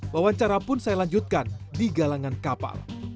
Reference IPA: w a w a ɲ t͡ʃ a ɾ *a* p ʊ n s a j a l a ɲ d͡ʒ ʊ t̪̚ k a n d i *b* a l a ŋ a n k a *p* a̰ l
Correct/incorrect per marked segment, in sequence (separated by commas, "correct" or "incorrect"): correct, incorrect, correct